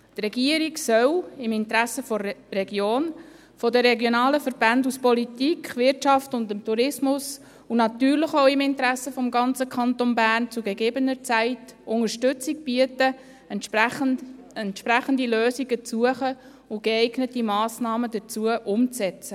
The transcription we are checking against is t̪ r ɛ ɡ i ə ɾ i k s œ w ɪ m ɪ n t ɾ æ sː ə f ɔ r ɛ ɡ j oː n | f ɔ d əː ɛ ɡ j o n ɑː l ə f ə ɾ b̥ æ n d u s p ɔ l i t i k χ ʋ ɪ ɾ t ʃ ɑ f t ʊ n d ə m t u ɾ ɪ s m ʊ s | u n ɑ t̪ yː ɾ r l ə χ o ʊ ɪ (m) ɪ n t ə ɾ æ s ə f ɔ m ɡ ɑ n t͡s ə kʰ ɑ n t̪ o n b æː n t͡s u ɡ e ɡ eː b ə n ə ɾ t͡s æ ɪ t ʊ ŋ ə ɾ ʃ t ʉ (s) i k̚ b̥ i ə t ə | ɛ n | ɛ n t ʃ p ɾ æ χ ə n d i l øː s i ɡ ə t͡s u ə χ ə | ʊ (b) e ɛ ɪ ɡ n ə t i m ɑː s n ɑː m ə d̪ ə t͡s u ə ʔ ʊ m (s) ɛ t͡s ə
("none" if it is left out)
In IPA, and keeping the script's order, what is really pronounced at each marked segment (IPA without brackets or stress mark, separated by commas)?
m, t͡s, ɡ, t͡s